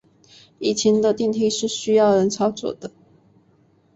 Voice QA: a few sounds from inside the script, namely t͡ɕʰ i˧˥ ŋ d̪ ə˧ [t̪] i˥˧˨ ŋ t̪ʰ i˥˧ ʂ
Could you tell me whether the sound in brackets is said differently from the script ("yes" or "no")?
no